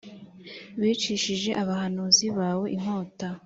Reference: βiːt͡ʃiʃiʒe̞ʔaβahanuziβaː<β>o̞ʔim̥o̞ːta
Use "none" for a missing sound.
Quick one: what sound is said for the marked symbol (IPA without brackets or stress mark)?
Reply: w